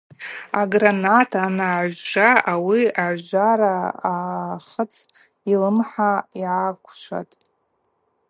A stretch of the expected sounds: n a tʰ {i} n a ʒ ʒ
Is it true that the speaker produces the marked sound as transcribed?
no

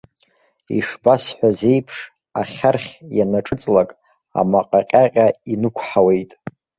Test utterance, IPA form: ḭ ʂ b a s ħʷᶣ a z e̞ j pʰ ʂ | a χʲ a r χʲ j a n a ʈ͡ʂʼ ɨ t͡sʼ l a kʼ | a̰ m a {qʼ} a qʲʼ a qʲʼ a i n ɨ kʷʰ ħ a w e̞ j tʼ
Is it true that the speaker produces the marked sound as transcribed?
yes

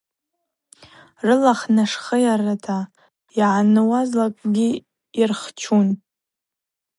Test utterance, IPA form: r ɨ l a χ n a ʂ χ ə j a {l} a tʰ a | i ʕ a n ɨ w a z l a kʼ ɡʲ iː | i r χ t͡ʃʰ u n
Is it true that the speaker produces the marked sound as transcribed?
no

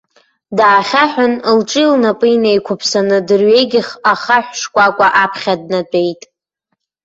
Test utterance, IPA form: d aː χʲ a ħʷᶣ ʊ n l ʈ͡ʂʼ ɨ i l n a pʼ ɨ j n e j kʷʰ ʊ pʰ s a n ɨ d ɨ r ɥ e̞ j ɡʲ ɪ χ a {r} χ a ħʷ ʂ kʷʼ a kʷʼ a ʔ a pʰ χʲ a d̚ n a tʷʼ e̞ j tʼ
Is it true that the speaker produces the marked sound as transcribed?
no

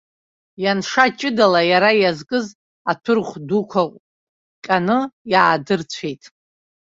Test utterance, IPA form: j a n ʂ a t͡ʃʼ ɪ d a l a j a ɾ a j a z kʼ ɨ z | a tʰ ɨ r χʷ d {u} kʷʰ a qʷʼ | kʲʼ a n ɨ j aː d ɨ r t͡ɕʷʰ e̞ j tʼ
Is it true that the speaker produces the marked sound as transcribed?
yes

